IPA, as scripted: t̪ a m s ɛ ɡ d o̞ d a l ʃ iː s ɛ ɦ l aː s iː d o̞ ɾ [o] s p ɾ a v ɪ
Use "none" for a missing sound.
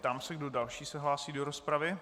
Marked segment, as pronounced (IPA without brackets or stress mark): o